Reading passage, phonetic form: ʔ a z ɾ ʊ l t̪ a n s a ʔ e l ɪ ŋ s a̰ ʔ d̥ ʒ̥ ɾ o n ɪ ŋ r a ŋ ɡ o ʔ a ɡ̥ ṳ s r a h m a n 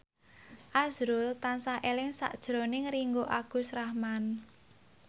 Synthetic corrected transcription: ʔ a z ɾ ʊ l t̪ a n s a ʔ e l ɪ ŋ s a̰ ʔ d̥ ʒ̥ ɾ o n ɪ ŋ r i ŋ ɡ o ʔ a ɡ̥ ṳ s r a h m a n

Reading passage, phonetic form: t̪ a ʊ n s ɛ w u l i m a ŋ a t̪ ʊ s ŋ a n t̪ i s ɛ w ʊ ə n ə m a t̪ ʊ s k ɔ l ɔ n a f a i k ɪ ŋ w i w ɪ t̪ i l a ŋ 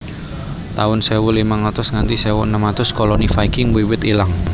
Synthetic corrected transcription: t̪ a ʊ n s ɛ w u l i m a ŋ a t̪ ʊ s ŋ a n t̪ i s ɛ w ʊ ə n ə m a t̪ ʊ s k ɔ l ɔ n i f a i k ɪ ŋ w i w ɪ t̪ i l a ŋ

